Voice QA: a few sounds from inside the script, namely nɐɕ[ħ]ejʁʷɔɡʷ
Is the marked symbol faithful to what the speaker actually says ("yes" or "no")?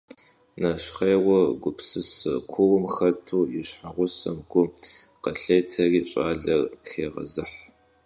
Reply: no